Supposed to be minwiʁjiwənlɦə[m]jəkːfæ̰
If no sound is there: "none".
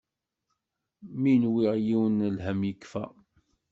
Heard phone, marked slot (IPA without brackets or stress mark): m